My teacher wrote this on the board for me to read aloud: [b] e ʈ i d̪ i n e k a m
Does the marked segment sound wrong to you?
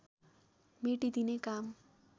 yes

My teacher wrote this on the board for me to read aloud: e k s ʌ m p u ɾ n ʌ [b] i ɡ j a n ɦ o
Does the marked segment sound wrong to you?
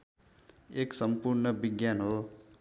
no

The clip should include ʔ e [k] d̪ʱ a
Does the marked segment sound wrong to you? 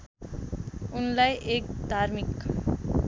no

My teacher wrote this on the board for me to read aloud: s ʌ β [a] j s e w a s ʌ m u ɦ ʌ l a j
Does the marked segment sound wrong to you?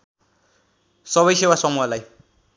yes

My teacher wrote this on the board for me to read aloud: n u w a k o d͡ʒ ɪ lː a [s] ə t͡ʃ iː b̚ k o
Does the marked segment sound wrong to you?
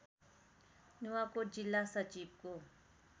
no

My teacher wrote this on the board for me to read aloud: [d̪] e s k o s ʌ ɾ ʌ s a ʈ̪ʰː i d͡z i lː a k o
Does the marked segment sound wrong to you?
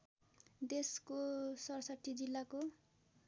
no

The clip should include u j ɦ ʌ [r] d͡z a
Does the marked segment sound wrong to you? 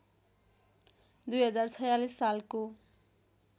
yes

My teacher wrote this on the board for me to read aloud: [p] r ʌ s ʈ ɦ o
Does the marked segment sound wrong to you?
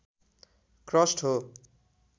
yes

